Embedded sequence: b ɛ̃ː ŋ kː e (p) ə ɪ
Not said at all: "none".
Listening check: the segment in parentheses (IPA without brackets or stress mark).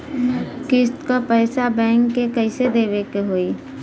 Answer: k